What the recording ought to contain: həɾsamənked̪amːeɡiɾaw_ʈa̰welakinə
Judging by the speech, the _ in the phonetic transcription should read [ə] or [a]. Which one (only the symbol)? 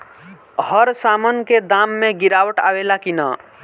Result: ə